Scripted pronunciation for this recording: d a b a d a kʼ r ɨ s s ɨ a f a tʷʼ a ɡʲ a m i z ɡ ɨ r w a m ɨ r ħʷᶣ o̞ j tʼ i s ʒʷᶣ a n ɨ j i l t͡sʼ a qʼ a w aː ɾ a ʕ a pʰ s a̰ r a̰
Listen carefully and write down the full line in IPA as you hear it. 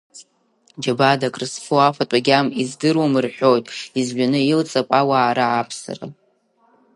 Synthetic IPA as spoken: d͡ʒ a b a d a kʼ r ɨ s f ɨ a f a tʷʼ a ɡʲ a m i z d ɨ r w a m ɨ r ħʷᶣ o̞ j tʼ i z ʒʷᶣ a n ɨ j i l t͡sʼ a pʼ a w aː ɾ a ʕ a pʰ s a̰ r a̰